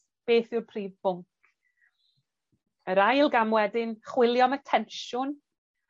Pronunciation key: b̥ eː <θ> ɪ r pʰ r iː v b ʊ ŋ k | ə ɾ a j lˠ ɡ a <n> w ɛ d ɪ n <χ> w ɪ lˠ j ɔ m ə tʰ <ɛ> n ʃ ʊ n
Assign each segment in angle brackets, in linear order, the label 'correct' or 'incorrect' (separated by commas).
correct, incorrect, correct, correct